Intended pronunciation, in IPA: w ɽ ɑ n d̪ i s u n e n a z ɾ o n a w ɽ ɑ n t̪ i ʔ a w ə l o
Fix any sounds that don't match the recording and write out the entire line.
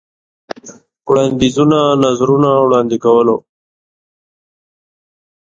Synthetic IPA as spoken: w ɽ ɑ n d̪ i z u n a n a z ɾ u n a w ɽ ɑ n d̪ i k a w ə l o

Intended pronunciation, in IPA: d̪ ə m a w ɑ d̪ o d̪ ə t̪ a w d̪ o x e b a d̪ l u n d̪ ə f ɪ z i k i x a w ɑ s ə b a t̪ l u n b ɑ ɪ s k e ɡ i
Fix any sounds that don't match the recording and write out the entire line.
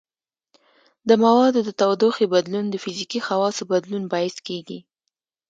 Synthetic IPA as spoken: d̪ ə m a w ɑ d̪ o d̪ ə t̪ a w d̪ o x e b a d̪ l u n d̪ ə f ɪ z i k i x a w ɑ s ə b a d̪ l u n b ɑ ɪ s k e ɡ i

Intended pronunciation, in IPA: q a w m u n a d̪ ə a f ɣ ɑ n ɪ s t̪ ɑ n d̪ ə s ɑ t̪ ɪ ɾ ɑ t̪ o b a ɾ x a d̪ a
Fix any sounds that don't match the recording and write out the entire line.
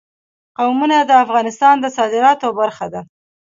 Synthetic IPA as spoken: q a w m u n a d̪ ə a f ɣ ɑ n ɪ s t̪ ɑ n d̪ ə s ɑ d̪ ɪ ɾ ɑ t̪ o b a ɾ x a d̪ a

